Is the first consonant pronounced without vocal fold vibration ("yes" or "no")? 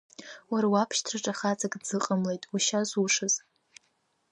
no